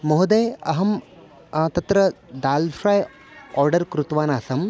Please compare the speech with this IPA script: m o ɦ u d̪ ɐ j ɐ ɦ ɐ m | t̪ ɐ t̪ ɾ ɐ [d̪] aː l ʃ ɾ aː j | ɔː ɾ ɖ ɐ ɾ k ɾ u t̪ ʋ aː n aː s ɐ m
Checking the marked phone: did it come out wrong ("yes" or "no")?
no